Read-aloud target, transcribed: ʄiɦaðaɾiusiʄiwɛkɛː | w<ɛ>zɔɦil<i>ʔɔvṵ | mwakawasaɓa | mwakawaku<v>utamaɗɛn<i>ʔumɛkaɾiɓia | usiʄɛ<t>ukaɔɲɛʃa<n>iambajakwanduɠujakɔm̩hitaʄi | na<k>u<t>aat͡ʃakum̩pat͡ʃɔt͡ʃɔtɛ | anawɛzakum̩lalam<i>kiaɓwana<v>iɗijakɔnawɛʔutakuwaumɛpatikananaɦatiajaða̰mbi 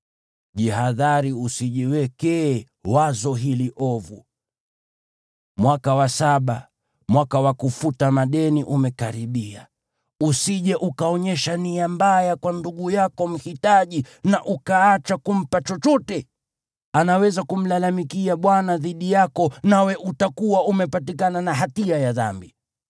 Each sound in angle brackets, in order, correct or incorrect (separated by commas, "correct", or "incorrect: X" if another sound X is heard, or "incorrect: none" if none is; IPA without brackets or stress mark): incorrect: a, correct, incorrect: f, correct, incorrect: ʔ, correct, incorrect: ʔ, incorrect: k, correct, incorrect: ð